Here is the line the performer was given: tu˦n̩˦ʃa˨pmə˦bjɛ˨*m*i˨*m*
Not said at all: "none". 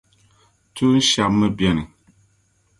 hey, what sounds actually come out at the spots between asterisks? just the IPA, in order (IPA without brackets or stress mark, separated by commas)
n, none